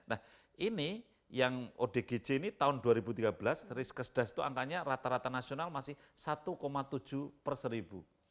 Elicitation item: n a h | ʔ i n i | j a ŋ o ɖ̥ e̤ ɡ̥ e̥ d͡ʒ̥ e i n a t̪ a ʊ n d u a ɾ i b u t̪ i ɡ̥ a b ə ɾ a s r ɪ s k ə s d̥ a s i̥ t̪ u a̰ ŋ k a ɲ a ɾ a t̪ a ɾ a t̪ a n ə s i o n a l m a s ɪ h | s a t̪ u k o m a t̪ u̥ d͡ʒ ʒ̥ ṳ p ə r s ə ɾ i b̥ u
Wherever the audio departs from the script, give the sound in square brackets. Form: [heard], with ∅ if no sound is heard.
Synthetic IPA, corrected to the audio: n a h | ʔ i n i | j a ŋ o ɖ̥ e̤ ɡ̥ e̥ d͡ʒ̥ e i n [i] t̪ a ʊ n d u a ɾ i b u t̪ i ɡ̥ a b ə [l] a s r ɪ s k ə s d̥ a s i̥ t̪ u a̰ ŋ k a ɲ a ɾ a t̪ a ɾ a t̪ a n [a] s i o n a l m a s ɪ h | s a t̪ u k o m a t̪ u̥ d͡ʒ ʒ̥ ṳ p ə r s ə ɾ i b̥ u